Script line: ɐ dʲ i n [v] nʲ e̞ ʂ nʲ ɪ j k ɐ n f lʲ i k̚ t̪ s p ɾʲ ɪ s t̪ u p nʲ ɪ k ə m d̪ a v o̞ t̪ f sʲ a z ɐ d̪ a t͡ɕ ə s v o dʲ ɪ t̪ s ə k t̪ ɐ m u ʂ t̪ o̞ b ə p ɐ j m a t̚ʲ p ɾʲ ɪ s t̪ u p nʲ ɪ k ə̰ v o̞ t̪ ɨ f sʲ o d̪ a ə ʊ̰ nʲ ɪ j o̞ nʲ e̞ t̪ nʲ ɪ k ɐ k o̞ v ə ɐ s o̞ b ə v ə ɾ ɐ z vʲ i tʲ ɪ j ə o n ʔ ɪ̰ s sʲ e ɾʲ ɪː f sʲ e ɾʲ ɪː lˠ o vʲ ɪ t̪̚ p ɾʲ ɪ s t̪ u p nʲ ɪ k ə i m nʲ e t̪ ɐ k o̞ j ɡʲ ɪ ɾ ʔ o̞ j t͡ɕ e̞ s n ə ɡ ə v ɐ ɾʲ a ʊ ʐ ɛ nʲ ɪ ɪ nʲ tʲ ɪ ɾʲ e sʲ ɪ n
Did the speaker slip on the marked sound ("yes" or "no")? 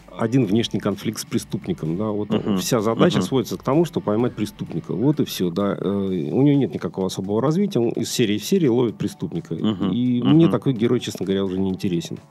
no